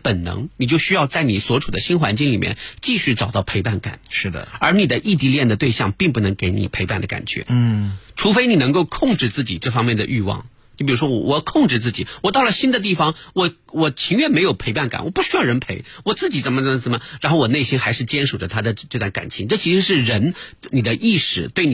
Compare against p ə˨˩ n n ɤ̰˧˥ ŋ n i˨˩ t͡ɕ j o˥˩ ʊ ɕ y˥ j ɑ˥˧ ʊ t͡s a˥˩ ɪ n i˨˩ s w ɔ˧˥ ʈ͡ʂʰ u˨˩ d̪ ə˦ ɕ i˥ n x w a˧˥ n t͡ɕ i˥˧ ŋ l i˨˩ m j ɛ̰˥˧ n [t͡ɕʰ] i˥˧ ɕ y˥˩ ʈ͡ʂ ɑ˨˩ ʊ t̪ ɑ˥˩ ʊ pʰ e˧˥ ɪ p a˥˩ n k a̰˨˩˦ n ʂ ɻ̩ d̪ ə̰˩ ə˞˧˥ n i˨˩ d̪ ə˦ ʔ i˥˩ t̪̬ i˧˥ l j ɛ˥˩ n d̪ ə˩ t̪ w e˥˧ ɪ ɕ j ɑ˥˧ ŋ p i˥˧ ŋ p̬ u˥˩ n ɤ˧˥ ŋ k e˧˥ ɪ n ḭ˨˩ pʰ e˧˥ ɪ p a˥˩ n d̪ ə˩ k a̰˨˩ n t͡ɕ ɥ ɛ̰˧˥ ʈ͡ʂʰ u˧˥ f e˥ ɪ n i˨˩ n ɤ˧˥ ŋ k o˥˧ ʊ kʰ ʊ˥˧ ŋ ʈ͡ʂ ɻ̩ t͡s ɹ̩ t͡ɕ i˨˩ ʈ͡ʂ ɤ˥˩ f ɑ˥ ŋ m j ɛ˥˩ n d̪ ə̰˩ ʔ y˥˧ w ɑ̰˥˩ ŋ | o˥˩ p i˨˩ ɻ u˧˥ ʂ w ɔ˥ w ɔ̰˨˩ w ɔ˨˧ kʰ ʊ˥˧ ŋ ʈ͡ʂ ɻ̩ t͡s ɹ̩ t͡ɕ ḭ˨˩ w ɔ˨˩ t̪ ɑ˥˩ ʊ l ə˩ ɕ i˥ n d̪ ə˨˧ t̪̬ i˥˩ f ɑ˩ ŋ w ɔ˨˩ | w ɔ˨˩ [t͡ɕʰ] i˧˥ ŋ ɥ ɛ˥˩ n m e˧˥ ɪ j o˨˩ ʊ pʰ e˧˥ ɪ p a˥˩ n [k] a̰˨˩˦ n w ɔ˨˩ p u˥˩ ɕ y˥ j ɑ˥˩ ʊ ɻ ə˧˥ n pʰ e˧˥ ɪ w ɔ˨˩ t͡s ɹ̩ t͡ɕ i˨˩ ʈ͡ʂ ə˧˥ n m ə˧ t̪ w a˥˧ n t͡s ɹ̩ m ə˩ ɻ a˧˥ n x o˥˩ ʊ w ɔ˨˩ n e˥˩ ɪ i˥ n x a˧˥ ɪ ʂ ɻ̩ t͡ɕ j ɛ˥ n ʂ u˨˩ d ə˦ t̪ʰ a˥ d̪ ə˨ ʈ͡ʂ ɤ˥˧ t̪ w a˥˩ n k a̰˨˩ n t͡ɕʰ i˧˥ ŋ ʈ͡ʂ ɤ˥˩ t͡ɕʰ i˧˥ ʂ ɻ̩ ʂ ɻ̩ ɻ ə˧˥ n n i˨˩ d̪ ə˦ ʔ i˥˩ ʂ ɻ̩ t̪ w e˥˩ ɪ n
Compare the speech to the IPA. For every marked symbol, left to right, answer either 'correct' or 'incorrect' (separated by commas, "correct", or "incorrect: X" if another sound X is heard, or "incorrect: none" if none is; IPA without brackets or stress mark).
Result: incorrect: t͡ɕ, correct, correct